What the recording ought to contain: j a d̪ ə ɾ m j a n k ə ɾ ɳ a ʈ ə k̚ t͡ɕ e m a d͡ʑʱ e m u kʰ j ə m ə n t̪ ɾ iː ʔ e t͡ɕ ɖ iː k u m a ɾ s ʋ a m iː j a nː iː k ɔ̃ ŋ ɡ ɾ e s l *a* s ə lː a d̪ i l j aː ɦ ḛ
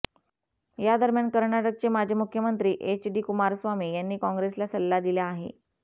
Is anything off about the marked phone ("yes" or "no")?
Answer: no